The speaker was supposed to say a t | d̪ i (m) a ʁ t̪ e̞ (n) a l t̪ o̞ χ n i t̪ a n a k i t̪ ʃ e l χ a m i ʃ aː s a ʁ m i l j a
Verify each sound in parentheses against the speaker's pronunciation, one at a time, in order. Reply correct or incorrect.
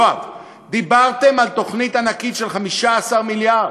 incorrect: b, incorrect: m

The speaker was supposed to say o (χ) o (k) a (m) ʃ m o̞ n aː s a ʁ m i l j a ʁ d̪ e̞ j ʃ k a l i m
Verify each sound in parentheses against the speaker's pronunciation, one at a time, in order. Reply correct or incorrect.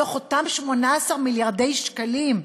correct, incorrect: t, correct

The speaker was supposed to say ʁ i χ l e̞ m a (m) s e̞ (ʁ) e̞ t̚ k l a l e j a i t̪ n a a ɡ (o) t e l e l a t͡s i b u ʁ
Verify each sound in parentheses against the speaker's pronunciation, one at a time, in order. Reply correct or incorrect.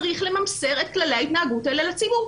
correct, correct, incorrect: u

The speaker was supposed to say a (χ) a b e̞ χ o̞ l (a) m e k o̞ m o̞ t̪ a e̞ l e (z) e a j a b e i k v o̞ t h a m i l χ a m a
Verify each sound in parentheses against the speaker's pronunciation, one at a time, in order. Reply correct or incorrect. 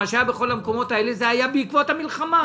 incorrect: ʃ, correct, correct

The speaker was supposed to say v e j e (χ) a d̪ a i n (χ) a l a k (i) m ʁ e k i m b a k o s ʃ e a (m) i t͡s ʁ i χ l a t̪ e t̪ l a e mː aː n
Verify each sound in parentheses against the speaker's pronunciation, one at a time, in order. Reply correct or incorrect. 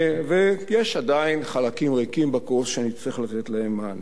incorrect: ʃ, correct, correct, incorrect: n

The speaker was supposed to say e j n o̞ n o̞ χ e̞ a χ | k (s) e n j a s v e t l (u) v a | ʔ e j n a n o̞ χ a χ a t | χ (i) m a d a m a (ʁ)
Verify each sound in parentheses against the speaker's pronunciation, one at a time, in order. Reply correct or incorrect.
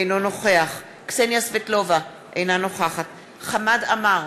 correct, incorrect: o, incorrect: a, correct

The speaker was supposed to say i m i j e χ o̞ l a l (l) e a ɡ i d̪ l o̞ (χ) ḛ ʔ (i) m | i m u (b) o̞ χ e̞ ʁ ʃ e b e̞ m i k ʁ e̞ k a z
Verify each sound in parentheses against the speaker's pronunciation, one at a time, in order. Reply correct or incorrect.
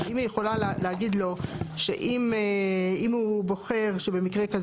correct, incorrect: ʃ, correct, correct

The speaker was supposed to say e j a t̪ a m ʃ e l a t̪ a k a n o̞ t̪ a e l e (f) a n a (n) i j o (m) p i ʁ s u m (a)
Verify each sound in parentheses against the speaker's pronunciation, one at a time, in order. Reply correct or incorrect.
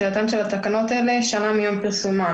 incorrect: ʃ, incorrect: m, correct, correct

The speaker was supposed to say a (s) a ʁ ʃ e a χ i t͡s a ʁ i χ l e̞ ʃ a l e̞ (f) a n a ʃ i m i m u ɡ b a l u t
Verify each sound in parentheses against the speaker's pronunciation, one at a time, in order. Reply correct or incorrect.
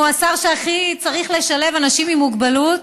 correct, incorrect: v

